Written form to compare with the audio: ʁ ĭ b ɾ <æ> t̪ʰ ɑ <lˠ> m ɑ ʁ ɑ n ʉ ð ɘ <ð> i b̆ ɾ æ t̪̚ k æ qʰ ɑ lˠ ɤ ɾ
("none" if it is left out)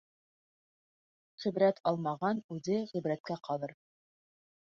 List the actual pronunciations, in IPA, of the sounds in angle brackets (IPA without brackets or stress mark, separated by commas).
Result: æ, lˠ, ʁ